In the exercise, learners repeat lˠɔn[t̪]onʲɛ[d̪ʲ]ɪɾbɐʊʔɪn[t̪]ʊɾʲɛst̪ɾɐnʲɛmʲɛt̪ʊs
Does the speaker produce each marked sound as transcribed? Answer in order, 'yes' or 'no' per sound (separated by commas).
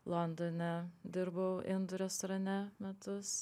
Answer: no, yes, no